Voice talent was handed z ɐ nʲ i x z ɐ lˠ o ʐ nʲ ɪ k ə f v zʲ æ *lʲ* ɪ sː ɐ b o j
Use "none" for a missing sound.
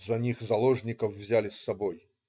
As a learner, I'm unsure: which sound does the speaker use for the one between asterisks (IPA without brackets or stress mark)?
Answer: lʲ